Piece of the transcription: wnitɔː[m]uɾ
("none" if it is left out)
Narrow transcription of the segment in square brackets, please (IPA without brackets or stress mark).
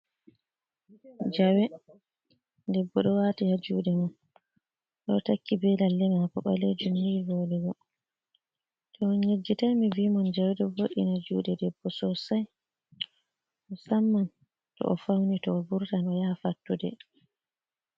b